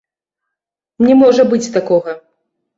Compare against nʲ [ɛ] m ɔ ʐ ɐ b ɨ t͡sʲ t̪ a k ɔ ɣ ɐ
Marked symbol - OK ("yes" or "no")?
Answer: yes